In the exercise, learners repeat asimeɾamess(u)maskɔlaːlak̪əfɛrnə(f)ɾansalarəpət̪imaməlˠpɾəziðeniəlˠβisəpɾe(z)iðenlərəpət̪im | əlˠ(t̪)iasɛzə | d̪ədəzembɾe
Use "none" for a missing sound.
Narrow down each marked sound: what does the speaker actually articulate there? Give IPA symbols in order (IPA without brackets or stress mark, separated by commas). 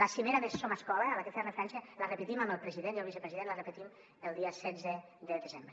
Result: o, f, z, d̪